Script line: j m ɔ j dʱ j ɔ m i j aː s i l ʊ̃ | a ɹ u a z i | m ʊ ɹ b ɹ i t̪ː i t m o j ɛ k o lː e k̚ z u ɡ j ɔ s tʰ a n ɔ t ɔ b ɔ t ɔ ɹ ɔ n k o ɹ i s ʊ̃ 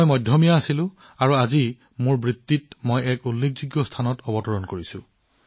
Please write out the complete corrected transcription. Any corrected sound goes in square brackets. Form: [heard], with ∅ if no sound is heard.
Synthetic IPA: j m ɔ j dʱ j ɔ m i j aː s i l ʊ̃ | a ɹ u a z i | m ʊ ɹ b ɹ i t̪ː i t m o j ɛ k [u] lː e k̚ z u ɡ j ɔ s tʰ a n ɔ t ɔ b ɔ t ɔ ɹ ɔ n k o ɹ i s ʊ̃